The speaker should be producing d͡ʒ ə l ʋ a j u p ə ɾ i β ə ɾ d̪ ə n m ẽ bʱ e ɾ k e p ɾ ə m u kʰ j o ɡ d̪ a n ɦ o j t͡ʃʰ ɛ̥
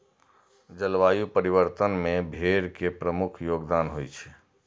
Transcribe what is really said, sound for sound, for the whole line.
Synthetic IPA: d͡ʒ ə l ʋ a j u p ə ɾ i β ə ɾ t̪ ə n m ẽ bʱ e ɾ k e p ɾ ə m u kʰ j o ɡ d̪ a n ɦ o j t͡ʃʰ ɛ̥